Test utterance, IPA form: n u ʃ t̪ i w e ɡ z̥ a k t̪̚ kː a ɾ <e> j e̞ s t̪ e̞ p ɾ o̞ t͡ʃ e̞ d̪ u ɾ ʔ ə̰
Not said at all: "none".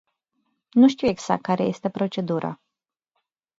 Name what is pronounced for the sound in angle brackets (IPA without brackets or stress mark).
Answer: e